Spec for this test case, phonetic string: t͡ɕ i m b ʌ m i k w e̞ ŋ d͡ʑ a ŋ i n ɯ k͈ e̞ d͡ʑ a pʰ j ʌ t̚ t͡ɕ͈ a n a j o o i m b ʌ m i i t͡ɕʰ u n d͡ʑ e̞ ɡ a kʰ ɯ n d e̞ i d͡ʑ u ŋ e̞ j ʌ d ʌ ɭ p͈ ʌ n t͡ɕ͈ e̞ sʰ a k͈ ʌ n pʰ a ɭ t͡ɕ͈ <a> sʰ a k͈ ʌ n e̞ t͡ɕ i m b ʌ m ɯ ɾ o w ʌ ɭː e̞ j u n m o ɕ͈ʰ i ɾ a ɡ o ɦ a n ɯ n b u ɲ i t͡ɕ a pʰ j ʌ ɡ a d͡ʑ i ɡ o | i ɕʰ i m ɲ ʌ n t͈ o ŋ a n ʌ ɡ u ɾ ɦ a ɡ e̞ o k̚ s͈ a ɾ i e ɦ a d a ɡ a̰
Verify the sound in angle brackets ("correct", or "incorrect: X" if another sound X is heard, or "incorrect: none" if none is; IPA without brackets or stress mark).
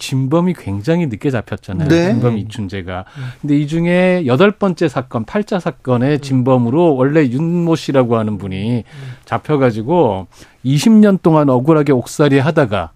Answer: correct